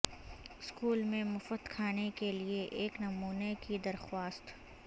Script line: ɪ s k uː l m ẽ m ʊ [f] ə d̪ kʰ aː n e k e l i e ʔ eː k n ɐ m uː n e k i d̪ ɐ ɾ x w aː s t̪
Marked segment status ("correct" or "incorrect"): correct